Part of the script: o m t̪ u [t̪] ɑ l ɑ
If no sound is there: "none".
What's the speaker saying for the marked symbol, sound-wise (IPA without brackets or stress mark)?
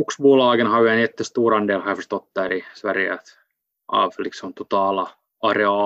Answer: t̪